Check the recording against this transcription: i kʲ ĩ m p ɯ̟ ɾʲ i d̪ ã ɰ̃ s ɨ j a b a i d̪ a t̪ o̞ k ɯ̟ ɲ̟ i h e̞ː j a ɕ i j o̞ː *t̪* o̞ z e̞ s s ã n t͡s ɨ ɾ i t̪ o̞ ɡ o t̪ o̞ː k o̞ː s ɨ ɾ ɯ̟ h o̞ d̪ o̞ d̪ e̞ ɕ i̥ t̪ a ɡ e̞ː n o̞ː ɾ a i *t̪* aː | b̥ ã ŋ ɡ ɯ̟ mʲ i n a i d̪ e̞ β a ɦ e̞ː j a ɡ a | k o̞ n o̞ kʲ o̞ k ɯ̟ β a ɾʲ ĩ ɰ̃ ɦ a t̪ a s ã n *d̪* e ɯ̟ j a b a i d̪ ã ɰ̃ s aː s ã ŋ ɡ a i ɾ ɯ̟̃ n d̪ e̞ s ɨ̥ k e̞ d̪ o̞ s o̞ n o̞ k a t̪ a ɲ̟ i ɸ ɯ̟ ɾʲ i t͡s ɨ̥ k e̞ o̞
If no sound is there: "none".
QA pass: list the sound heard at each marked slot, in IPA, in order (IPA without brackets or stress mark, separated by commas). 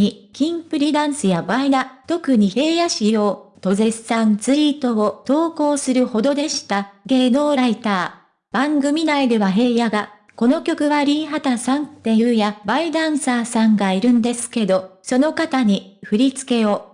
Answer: t̪, t̪, t̪